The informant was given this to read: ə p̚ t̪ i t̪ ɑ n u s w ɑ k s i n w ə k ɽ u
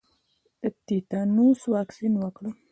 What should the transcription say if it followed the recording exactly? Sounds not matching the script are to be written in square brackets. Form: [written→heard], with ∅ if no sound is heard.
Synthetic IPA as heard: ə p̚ t̪ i t̪ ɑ n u s w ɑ k s i n w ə k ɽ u